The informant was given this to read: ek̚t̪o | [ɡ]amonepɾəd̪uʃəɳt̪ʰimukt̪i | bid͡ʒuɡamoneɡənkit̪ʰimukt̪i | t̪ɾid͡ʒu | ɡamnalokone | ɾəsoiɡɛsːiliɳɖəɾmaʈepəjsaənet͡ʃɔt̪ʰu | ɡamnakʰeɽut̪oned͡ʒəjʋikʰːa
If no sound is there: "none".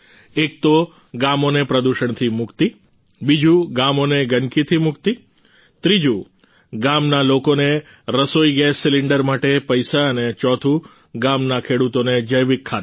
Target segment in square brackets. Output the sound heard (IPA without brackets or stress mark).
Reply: ɡ